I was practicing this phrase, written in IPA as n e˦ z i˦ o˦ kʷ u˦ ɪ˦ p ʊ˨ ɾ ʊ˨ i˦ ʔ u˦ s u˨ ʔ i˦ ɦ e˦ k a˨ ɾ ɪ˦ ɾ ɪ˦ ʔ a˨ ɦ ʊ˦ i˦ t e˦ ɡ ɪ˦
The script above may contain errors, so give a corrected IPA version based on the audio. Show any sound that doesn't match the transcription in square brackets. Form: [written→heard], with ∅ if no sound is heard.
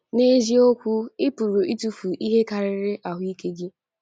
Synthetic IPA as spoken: n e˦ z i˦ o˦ kʷ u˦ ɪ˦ p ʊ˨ ɾ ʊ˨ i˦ [ʔ→t] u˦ [s→f] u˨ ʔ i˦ ɦ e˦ k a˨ ɾ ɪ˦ ɾ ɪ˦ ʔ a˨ ɦ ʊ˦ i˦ [t→k] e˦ ɡ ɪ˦